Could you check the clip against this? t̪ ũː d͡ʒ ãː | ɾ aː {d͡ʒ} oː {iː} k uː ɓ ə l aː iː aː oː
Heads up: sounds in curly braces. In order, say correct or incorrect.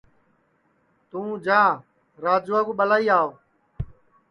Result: correct, incorrect

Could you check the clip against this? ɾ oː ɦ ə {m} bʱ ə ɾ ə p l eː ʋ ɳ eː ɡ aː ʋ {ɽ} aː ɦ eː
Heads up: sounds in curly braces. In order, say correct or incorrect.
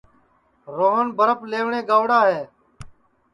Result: incorrect, correct

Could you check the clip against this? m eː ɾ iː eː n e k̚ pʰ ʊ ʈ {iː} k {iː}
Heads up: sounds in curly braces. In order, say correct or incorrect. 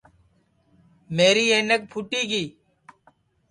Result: correct, correct

